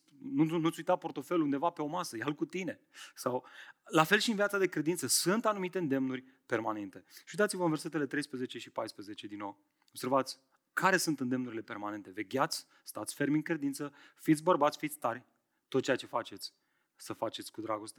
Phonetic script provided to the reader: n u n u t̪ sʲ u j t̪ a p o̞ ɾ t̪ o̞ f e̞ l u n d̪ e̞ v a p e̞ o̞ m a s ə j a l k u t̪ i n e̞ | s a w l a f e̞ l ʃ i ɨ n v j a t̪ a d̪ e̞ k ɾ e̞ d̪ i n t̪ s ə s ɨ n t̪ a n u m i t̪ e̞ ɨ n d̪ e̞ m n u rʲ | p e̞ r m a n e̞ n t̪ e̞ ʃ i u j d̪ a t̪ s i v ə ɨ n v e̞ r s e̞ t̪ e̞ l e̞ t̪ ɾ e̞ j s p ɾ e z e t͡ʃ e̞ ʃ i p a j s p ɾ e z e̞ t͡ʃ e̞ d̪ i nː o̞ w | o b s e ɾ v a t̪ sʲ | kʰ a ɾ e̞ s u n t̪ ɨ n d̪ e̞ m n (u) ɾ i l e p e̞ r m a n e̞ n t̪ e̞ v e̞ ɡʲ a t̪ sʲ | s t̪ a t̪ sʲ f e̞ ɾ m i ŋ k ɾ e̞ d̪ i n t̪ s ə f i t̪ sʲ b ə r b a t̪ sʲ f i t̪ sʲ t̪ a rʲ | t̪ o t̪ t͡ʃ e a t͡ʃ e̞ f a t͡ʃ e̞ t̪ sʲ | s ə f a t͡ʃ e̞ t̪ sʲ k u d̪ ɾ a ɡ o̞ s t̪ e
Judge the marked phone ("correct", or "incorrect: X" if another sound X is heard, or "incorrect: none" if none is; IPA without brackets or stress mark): correct